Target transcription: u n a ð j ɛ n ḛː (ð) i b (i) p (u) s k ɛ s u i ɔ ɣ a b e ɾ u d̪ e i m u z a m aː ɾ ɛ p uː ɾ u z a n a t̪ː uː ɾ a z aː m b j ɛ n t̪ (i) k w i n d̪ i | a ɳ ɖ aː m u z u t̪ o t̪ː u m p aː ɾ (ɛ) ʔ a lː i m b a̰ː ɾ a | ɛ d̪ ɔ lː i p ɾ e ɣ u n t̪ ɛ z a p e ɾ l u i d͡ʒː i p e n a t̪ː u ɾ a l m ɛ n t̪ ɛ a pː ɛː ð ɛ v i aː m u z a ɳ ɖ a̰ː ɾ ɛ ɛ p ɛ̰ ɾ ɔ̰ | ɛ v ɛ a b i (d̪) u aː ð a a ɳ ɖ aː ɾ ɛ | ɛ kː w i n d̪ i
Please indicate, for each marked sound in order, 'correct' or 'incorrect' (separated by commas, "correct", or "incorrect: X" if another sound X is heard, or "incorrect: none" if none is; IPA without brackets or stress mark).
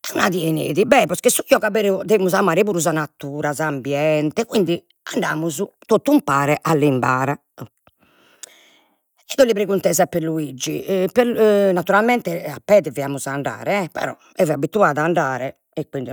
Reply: correct, incorrect: ɛ, incorrect: ɔ, incorrect: ɛ, correct, incorrect: t̪